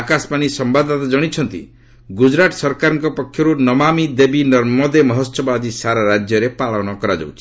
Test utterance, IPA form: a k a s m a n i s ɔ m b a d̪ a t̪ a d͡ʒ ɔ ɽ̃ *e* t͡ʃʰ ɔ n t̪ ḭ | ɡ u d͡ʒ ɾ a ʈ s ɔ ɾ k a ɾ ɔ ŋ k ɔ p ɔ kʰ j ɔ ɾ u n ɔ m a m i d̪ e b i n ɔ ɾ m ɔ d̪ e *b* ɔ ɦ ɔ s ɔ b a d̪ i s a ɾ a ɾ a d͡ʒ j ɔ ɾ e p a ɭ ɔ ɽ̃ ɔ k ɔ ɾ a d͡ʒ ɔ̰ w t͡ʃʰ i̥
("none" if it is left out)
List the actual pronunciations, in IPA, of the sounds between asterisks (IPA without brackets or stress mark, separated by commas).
i, m